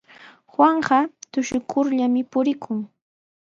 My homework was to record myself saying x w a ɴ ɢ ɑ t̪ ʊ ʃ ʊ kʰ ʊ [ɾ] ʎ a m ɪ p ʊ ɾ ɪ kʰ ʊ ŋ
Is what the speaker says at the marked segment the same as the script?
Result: yes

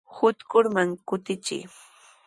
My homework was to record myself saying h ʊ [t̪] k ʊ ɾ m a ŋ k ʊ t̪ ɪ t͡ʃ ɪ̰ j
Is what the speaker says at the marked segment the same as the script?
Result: yes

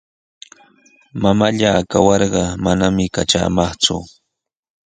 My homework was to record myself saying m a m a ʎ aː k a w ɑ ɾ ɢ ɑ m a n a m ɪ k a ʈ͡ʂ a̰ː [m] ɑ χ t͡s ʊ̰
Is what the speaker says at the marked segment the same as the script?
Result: yes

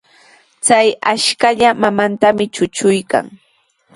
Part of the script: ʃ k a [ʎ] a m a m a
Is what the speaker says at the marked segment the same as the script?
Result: yes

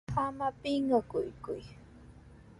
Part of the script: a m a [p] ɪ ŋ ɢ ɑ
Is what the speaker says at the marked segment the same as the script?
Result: yes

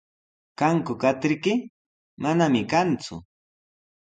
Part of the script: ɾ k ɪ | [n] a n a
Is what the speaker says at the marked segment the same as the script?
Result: no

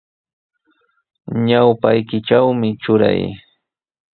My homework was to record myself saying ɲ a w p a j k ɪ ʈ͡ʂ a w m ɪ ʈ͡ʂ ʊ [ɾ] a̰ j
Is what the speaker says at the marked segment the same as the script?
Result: yes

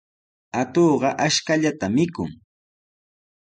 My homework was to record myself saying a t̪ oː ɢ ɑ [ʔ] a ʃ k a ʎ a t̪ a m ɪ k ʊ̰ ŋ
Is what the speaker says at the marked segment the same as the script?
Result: yes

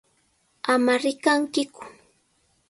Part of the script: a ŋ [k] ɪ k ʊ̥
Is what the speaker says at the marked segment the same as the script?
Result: yes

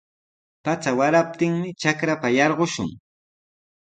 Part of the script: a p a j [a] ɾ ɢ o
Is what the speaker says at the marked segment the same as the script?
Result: no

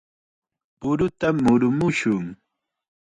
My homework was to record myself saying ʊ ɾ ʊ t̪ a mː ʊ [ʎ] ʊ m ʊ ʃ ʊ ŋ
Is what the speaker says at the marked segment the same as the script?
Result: no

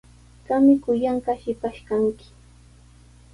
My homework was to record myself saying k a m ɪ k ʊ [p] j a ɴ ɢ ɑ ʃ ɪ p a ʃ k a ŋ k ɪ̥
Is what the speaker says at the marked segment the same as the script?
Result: no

